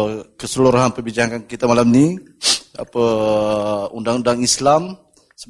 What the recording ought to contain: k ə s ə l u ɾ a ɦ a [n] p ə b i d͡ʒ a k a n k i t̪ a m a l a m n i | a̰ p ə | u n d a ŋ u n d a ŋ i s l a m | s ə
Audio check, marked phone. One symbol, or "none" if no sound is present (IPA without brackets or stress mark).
n